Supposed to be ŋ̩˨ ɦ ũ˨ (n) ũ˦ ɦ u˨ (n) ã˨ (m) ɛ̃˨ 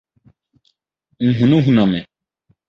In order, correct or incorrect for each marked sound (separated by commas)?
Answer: correct, correct, correct